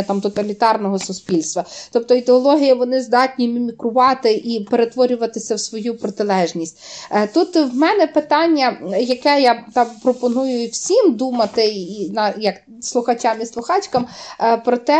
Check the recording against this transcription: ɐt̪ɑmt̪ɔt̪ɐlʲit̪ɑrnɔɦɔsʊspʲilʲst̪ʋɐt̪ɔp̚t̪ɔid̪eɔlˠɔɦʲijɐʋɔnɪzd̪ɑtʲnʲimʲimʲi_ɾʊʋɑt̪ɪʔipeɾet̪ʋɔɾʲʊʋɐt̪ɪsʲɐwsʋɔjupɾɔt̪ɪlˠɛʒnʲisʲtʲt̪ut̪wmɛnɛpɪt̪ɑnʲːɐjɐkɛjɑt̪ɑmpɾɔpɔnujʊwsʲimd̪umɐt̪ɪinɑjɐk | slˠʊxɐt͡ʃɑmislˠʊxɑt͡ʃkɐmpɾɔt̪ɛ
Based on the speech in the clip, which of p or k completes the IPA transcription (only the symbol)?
k